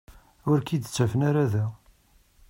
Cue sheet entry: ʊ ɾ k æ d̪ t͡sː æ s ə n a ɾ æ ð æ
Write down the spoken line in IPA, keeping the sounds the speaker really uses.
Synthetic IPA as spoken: ʊ ɾ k i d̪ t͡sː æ f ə n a ɾ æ ð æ